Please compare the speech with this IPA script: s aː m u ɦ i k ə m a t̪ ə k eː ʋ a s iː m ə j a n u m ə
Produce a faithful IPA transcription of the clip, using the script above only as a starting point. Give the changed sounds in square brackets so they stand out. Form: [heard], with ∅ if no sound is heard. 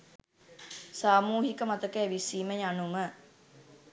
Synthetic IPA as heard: s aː m [uː] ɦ i k ə m a t̪ ə k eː ʋ [i] s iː m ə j a n u m ə